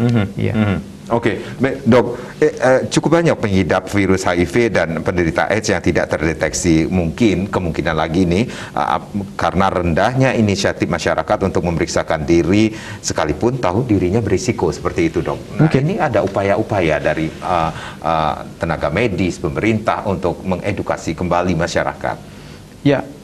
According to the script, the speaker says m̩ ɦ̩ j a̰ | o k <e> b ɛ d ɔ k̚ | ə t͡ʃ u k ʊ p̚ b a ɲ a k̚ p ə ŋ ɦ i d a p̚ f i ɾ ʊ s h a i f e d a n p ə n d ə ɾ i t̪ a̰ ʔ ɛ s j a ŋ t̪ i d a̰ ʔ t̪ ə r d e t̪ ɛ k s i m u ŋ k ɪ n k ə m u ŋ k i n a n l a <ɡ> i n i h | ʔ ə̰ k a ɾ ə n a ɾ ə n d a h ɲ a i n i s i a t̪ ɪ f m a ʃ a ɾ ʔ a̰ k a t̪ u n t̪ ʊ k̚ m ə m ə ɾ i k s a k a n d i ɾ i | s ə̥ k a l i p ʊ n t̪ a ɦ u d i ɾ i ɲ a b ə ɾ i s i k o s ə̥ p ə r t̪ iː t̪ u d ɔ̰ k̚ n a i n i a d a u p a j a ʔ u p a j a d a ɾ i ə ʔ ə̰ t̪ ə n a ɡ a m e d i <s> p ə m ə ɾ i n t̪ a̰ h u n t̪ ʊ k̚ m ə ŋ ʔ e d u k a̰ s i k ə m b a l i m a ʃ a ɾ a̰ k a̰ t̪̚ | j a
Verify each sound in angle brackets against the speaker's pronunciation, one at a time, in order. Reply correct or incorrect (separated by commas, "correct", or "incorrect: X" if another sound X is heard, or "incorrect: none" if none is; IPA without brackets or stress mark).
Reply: correct, correct, correct